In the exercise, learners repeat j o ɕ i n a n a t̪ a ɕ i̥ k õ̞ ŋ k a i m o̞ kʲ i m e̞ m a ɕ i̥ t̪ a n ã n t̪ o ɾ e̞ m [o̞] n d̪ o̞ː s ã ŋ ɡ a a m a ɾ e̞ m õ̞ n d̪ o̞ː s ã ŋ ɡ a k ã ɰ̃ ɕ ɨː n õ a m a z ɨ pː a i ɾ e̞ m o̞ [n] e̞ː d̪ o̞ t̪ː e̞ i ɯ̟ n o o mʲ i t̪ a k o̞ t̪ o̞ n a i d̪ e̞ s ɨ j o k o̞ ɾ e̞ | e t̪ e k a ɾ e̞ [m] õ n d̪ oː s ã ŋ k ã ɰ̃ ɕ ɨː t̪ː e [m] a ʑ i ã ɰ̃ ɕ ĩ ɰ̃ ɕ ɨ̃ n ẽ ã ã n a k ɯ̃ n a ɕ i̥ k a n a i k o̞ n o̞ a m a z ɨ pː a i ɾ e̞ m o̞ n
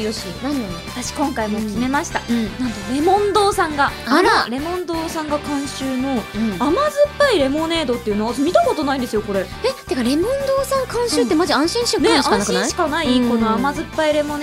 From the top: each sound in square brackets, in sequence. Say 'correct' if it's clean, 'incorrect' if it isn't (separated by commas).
incorrect, correct, correct, correct